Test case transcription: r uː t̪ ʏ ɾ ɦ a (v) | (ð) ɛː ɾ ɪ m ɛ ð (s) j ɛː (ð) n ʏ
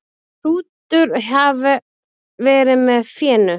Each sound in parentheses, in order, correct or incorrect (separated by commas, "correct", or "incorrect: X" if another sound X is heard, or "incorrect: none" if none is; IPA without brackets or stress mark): correct, incorrect: v, incorrect: f, incorrect: none